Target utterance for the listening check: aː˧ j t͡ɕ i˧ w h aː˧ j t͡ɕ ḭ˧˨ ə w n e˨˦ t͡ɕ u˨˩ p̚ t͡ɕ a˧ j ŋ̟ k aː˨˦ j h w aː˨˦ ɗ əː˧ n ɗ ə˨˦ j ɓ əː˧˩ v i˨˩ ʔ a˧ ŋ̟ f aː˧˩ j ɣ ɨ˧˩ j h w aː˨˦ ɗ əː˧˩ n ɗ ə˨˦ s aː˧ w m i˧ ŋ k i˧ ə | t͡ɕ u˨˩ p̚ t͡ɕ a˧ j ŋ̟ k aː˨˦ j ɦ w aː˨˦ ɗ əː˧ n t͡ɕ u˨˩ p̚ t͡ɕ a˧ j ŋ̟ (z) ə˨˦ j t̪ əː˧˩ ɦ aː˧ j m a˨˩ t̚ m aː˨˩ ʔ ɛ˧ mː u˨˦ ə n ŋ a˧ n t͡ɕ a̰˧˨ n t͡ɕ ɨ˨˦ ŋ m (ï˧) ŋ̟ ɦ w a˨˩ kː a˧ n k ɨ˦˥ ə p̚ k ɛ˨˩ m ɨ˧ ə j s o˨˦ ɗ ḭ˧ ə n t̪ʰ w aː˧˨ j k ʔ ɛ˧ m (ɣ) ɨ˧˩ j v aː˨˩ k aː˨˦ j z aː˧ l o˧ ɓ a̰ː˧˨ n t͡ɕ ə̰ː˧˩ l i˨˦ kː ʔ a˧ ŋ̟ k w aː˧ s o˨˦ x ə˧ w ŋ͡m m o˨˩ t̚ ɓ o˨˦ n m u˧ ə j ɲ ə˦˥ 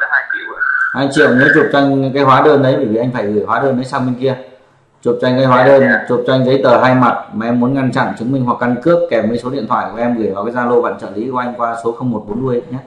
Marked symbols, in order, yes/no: yes, yes, yes

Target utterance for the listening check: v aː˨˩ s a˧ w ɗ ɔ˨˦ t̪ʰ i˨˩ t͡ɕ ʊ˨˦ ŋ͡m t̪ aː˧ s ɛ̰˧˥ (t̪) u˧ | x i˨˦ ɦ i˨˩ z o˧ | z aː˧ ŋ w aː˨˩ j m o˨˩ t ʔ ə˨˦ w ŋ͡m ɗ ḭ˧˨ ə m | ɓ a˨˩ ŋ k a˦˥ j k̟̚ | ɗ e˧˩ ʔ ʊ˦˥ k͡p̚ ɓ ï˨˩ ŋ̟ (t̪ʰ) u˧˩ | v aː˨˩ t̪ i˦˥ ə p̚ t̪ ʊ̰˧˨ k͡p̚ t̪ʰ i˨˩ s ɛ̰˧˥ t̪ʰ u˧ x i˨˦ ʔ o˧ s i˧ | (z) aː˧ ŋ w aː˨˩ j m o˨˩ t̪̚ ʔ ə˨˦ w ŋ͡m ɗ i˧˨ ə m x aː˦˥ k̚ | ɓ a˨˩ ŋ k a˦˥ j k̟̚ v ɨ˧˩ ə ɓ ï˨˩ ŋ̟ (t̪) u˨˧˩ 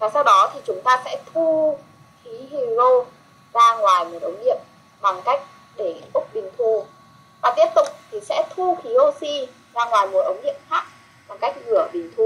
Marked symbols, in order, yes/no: no, yes, yes, no

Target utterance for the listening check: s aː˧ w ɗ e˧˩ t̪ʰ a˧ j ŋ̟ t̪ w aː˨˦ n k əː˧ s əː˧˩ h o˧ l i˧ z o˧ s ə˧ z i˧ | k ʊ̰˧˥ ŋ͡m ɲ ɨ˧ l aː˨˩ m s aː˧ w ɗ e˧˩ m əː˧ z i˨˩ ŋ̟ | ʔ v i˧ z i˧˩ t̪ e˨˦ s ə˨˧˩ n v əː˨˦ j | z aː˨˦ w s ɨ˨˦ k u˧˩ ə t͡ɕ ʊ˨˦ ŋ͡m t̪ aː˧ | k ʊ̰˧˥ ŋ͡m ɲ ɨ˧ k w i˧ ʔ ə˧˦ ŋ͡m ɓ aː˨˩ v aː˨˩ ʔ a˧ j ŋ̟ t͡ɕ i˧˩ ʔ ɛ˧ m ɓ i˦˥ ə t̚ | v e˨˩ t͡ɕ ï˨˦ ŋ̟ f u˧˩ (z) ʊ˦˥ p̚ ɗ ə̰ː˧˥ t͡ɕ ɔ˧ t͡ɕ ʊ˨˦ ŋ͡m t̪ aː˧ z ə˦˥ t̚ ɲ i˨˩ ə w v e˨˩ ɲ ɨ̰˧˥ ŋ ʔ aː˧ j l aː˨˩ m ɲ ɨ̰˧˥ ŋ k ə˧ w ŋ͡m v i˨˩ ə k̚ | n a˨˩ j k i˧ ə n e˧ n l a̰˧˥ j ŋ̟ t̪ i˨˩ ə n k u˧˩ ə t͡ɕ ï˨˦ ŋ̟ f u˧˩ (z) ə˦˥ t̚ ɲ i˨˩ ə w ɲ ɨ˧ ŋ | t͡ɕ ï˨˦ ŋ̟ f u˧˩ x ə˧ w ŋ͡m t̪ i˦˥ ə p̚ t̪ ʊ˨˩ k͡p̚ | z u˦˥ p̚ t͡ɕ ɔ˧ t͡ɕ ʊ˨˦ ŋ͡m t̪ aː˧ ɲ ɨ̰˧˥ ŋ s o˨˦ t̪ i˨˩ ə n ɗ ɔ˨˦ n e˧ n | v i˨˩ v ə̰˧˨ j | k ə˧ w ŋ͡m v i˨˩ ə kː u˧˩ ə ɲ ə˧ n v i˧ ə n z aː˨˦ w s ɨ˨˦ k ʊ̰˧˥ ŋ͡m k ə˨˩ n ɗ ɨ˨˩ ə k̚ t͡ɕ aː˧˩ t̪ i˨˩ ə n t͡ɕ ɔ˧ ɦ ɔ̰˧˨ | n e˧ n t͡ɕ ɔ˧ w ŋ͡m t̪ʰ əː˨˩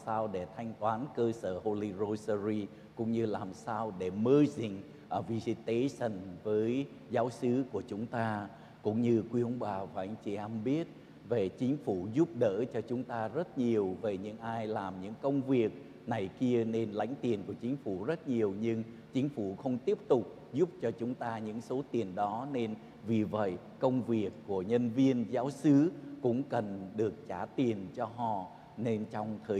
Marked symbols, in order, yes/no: yes, yes

